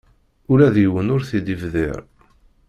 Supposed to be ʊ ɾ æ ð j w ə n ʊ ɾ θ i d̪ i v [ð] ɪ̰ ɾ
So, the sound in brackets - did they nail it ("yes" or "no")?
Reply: yes